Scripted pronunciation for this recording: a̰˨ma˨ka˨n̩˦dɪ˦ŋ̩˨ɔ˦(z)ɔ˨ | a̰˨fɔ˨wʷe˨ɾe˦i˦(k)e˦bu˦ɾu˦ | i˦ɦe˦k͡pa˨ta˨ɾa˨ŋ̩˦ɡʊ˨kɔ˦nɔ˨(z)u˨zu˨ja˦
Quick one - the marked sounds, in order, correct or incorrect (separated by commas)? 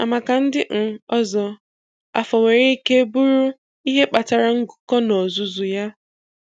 correct, correct, correct